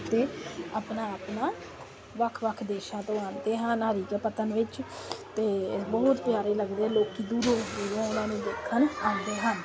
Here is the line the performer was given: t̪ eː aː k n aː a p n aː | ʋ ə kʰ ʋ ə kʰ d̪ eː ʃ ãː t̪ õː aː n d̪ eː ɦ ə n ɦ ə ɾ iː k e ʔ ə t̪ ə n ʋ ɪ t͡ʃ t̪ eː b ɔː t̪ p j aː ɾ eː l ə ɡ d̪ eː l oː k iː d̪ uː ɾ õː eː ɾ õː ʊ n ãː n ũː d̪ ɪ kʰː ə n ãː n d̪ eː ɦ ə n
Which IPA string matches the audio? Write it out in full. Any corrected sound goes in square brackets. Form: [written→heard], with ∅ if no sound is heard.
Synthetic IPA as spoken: t̪ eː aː [k→p] n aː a p n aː | ʋ ə kʰ ʋ ə kʰ d̪ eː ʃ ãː t̪ õː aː n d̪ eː ɦ ə n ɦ ə ɾ iː k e [ʔ→p] ə t̪ ə n ʋ ɪ t͡ʃ t̪ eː b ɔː t̪ p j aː ɾ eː l ə ɡ d̪ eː l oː k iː d̪ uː ɾ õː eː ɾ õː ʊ n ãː n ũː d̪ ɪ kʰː ə n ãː n d̪ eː ɦ ə n